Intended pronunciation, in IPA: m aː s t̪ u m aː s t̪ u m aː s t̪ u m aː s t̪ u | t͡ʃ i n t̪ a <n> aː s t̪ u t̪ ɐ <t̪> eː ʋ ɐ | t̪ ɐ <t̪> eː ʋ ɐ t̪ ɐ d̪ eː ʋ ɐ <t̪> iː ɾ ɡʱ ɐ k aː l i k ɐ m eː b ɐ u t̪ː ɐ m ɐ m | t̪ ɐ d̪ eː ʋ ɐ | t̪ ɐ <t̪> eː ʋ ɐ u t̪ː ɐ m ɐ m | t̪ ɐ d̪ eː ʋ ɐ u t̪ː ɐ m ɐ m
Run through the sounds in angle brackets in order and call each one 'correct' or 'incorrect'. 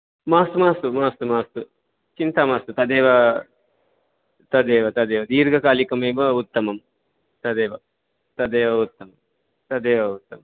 incorrect: m, incorrect: d̪, incorrect: d̪, incorrect: d̪, incorrect: d̪

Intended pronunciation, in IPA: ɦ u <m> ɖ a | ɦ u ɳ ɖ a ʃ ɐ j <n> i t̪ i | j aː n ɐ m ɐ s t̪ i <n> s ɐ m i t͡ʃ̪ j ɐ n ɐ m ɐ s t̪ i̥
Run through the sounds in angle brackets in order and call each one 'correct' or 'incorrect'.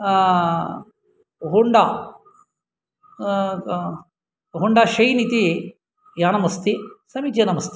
incorrect: ɳ, correct, incorrect: none

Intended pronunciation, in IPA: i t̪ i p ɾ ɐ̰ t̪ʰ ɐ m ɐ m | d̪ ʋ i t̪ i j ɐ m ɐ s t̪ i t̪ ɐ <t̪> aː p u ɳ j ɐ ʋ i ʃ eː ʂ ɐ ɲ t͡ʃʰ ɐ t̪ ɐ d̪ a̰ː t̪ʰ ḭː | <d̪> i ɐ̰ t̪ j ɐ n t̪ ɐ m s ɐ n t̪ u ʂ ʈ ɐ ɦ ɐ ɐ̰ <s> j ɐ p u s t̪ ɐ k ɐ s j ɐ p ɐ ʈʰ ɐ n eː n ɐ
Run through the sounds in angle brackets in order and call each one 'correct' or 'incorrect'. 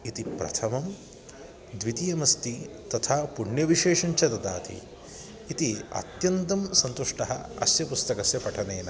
incorrect: t̪ʰ, incorrect: t̪, correct

